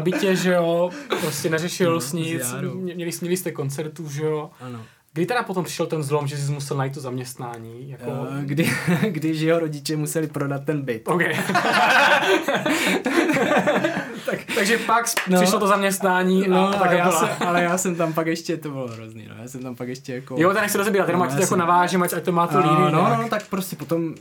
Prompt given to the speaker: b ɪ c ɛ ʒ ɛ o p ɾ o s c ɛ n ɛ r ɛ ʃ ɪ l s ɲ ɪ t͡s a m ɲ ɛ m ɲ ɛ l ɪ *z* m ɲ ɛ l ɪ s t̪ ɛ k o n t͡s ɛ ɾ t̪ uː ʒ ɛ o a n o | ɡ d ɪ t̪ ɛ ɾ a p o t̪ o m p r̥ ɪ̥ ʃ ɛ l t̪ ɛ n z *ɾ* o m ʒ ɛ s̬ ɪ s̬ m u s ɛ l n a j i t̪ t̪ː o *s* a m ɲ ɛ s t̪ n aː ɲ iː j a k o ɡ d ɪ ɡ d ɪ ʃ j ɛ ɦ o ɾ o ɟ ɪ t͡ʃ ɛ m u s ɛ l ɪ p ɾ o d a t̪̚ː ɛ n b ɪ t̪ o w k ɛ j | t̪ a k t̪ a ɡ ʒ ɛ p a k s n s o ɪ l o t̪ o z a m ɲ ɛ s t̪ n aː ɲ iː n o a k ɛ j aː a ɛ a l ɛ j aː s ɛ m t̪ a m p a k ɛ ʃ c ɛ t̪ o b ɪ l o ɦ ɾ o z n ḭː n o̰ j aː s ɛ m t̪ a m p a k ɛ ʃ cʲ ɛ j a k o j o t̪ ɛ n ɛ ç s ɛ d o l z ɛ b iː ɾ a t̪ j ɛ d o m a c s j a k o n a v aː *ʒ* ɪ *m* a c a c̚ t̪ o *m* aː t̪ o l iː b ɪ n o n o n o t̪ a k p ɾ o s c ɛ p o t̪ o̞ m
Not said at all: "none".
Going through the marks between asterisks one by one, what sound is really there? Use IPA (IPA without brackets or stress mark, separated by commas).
s, l, z, ʒ, m, m